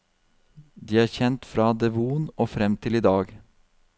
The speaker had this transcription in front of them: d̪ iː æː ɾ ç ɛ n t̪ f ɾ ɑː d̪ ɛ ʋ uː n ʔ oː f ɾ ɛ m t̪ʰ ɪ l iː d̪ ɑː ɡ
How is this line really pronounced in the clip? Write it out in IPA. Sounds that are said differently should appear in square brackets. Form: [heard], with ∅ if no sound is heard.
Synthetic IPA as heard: d̪ iː æː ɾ ç ɛ n t̪ f ɾ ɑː d̪ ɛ ʋ uː n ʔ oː f ɾ ɛ m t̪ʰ ɪ l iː d̪ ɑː ɡ

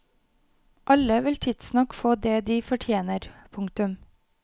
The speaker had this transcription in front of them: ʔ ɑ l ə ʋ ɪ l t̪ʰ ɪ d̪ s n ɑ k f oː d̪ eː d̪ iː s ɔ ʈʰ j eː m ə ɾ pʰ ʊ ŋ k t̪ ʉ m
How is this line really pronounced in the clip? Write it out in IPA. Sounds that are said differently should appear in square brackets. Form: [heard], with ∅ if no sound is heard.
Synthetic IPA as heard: ʔ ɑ l ə ʋ ɪ l t̪ʰ ɪ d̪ s n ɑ k f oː d̪ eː d̪ iː [f] ɔ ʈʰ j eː [n] ə ɾ pʰ ʊ ŋ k t̪ ʉ m

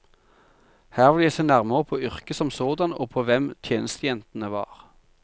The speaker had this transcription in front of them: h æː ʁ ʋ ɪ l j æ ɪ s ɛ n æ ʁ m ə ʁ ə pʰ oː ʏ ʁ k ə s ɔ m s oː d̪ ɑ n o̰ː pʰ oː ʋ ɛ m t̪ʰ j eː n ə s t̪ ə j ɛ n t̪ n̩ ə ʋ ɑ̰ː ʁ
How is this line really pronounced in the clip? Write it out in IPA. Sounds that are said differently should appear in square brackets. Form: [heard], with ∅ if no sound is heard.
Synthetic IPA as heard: h æː ʁ ʋ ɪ l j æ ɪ s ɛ n æ ʁ m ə ʁ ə pʰ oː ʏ ʁ k ə s ɔ m s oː d̪ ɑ n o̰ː pʰ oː ʋ ɛ m t̪ʰ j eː n ə s t̪ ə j ɛ n t̪ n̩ ə ʋ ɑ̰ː ʁ

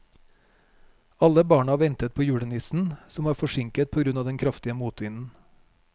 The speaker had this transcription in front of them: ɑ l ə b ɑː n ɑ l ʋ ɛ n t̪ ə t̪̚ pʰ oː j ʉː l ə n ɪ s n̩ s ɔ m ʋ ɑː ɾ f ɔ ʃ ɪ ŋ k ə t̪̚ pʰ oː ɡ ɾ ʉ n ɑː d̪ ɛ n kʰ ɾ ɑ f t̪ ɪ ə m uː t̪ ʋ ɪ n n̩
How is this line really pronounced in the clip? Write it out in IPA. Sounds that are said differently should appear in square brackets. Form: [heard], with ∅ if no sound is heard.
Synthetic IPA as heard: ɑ l ə b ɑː [ɳ] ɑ [∅] ʋ ɛ n t̪ ə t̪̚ pʰ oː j ʉː [ɽ] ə n ɪ s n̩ s ɔ m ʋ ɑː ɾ f ɔ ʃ ɪ ŋ k ə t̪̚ pʰ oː ɡ ɾ ʉ n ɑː d̪ ɛ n kʰ ɾ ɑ f t̪ ɪ ə m uː t̪ ʋ ɪ n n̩

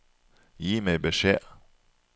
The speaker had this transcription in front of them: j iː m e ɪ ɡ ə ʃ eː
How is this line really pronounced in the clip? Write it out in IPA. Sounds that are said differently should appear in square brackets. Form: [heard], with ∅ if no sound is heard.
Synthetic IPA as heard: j iː m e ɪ [b] ə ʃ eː

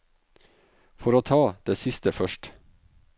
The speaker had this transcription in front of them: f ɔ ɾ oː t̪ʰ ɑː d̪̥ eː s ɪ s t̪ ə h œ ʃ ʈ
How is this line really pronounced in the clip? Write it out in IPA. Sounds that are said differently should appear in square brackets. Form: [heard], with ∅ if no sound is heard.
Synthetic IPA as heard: f ɔ ɾ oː t̪ʰ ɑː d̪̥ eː s ɪ s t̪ ə [f] œ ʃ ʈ

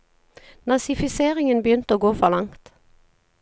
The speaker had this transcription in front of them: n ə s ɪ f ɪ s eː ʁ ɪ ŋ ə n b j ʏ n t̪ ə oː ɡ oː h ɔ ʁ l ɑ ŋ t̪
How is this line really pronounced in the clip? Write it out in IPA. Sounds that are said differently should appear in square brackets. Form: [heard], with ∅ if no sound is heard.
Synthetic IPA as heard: n [ɑ] s ɪ f ɪ s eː ʁ ɪ ŋ ə n b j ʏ n t̪ ə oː ɡ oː [f] ɔ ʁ l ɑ ŋ t̪

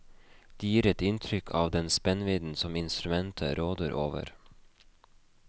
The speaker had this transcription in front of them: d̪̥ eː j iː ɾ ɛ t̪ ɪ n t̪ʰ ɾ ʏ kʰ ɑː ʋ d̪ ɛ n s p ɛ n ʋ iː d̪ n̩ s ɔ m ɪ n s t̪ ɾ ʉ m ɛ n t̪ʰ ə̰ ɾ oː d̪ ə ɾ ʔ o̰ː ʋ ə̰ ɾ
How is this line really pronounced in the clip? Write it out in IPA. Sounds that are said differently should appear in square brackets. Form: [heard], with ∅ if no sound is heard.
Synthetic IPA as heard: d̪̥ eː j iː ɾ ɛ t̪ ɪ n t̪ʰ ɾ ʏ kʰ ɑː ʋ d̪ ɛ n s p ɛ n ʋ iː d̪ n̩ s ɔ m ɪ n s t̪ ɾ ʉ m ɛ n t̪ʰ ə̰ ɾ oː d̪ ə ɾ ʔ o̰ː ʋ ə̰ ɾ

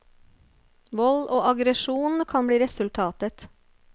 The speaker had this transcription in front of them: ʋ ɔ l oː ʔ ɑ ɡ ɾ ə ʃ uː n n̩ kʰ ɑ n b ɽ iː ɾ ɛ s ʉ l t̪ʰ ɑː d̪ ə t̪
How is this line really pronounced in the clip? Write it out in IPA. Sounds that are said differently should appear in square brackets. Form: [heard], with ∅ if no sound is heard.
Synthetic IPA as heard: ʋ ɔ l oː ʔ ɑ ɡ ɾ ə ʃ uː n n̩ kʰ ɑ n b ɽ iː ɾ ɛ s ʉ l t̪ʰ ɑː [t̪] ə t̪

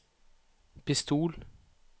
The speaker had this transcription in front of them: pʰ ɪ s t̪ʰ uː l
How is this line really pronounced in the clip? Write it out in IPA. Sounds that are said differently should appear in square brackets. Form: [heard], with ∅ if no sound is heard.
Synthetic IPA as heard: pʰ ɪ s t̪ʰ uː l

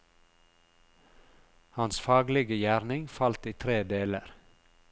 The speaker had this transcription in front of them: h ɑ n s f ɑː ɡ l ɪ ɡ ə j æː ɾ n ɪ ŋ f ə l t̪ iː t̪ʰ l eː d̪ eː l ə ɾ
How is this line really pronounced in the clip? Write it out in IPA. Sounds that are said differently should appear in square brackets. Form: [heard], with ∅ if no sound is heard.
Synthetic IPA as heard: h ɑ n s f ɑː ɡ l ɪ ɡ ə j æː ɾ n ɪ ŋ f [ɑ] l t̪ iː t̪ʰ [ɾ] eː d̪ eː l ə ɾ

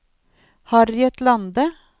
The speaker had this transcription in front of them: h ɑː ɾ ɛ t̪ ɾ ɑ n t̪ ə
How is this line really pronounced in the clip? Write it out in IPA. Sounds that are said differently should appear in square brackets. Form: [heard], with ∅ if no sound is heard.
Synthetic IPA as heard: h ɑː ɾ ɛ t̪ [l] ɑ n [d̪] ə

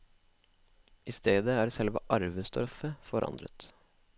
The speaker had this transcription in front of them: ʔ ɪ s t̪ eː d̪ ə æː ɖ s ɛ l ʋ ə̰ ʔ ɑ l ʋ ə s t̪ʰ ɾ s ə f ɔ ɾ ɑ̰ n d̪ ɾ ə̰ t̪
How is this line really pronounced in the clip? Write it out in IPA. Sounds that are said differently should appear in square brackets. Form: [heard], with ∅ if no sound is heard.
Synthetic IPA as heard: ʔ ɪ s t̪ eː d̪ ə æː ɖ s ɛ l ʋ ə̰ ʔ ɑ [ɾ] ʋ ə s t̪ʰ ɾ [f] ə f ɔ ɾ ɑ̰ n d̪ ɾ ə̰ t̪

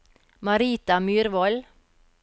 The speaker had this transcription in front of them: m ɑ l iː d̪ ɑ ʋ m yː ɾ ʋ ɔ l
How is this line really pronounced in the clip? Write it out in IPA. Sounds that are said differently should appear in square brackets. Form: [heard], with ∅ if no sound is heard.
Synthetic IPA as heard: m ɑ [ɾ] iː [t̪] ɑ [∅] m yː ɾ ʋ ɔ l

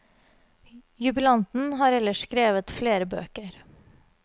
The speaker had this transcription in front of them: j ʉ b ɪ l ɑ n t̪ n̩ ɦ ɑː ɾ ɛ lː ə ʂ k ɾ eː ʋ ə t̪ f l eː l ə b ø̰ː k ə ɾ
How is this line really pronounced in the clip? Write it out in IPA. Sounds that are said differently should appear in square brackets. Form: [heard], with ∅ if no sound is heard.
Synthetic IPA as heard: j ʉ b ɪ l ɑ n t̪ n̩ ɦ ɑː ɾ ɛ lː ə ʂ k ɾ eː ʋ ə t̪ f l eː [ɾ] ə b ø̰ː k ə ɾ

